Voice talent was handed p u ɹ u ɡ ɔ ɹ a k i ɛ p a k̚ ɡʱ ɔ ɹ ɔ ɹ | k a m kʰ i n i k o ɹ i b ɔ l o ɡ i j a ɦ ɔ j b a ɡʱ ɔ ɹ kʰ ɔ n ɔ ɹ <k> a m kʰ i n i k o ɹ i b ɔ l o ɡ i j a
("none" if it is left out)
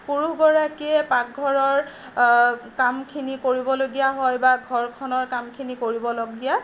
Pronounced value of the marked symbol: k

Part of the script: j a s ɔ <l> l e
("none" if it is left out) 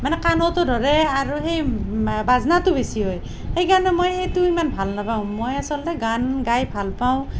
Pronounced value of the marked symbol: l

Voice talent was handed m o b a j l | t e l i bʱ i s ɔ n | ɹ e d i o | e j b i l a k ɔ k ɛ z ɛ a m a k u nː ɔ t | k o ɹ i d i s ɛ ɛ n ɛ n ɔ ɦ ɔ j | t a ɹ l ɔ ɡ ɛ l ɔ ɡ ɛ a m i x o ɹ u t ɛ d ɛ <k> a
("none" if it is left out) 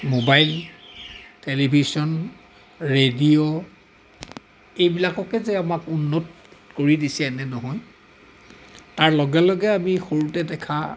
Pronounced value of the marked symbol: kʰ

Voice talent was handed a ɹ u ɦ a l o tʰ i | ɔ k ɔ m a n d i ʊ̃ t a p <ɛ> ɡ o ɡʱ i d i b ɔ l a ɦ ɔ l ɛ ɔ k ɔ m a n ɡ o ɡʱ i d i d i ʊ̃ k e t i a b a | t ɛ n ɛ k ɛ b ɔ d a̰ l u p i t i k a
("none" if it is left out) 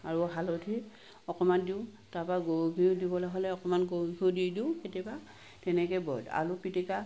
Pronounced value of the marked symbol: a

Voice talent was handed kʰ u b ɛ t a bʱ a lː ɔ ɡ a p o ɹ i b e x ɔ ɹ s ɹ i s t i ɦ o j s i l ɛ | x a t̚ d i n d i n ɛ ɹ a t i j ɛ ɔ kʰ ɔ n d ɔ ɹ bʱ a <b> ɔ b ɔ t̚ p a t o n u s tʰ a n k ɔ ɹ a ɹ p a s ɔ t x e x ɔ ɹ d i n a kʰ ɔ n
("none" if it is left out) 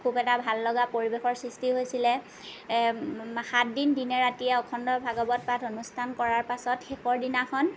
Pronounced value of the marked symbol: ɡ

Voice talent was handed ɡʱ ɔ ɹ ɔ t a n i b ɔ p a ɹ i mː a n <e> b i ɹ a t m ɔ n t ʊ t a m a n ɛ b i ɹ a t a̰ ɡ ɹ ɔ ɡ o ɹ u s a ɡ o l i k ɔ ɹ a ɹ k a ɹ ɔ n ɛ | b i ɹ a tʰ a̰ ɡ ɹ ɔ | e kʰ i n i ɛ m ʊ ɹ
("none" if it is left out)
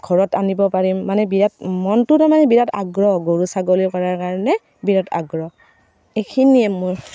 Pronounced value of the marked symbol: ɛ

